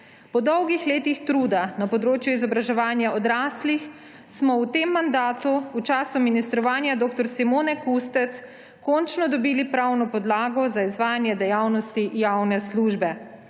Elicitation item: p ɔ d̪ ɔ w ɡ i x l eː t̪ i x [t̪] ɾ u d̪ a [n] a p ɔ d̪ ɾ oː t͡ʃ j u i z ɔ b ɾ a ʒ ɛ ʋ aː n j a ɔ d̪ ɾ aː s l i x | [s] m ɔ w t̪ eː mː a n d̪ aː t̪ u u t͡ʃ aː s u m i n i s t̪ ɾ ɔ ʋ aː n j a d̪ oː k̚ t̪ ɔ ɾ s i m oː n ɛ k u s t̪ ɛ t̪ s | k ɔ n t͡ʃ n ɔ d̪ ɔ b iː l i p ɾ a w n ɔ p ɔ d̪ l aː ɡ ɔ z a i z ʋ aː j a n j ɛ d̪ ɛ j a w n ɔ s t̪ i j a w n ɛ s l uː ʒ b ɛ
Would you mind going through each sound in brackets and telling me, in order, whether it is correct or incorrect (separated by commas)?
correct, correct, correct